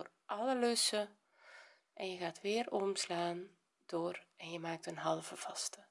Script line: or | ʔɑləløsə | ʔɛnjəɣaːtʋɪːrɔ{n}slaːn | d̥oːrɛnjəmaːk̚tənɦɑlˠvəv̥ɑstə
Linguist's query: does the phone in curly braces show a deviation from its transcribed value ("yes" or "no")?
yes